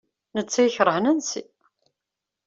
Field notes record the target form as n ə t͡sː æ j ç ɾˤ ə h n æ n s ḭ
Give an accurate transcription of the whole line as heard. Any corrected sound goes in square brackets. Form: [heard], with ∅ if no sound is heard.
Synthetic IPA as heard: n ə t͡sː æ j ç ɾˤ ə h n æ n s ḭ